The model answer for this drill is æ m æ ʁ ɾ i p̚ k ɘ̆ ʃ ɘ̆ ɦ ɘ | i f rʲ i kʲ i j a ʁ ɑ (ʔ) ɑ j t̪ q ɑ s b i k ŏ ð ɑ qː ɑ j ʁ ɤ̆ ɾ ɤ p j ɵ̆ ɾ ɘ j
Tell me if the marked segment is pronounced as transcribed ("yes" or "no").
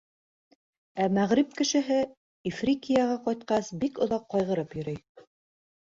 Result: no